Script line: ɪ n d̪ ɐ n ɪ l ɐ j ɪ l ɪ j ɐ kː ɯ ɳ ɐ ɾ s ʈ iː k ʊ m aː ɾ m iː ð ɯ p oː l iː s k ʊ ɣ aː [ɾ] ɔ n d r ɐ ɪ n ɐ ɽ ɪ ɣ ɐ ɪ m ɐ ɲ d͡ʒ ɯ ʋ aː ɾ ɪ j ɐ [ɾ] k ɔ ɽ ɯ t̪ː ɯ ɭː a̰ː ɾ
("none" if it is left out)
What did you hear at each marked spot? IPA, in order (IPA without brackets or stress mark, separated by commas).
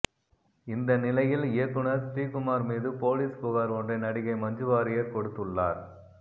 ɾ, ɾ